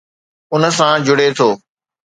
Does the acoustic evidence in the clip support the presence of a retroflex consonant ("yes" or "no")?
yes